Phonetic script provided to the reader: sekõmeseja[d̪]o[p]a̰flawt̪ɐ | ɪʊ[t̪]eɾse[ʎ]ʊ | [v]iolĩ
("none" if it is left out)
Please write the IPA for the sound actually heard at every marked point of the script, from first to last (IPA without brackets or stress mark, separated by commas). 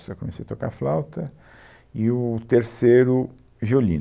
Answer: t̪, k, t̪, ɾ, ʒ